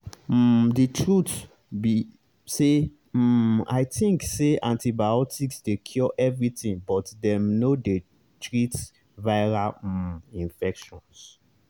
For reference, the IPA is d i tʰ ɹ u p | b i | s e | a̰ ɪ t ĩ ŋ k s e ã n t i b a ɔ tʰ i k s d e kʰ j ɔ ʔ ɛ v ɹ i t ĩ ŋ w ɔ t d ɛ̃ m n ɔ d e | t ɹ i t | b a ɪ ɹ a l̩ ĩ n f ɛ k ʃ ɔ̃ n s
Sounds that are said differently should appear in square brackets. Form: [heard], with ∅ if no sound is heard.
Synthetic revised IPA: d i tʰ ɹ u [t] | b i | s e | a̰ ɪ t ĩ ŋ k s e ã n t i b a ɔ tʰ i k s d e kʰ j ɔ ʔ ɛ v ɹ i t ĩ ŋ [b] ɔ t d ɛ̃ m n [o] d e | t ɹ i t | [v] a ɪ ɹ a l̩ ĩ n f ɛ k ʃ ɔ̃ n s